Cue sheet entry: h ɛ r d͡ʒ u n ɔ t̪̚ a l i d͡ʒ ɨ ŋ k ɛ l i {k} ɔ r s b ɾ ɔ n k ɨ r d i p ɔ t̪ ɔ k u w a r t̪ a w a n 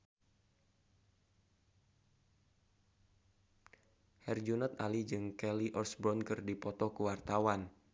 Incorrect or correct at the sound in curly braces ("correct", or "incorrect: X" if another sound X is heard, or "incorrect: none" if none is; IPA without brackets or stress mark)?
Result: incorrect: ʔ